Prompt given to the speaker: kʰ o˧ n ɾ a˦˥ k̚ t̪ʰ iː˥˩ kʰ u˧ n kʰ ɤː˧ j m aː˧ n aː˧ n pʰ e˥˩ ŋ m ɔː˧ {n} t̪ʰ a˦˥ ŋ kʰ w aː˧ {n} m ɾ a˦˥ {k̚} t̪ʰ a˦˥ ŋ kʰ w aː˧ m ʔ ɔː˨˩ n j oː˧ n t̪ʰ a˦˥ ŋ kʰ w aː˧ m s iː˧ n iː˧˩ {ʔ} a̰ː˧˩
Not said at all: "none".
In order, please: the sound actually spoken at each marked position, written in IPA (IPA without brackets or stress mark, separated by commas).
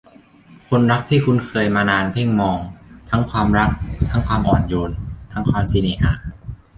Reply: ŋ, none, k̚, ʔ